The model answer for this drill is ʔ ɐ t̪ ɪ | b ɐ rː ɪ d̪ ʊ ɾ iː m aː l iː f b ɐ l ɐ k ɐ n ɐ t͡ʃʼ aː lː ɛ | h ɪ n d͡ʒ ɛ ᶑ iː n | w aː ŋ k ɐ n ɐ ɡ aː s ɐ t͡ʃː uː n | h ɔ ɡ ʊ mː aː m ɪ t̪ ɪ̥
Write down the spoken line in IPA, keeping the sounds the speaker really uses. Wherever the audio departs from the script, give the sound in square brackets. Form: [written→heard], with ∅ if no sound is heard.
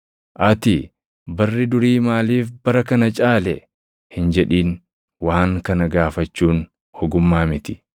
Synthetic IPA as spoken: ʔ ɐ t̪ ɪ | b ɐ rː ɪ d̪ ʊ ɾ iː m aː l iː f b ɐ [l→ɾ] ɐ k ɐ n ɐ t͡ʃʼ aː [lː→l] ɛ | h ɪ n d͡ʒ ɛ ᶑ iː n | w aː ŋ k ɐ n ɐ ɡ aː [s→f] ɐ t͡ʃː uː n | h ɔ ɡ ʊ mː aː m ɪ t̪ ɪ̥